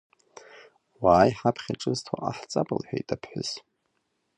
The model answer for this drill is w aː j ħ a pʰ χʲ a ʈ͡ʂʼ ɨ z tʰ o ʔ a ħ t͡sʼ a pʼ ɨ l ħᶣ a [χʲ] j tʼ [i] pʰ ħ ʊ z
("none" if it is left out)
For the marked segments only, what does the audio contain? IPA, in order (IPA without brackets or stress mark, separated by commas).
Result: none, a